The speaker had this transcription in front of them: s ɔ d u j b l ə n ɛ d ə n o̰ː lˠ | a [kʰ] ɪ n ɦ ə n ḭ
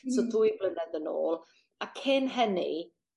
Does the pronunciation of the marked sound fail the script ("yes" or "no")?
no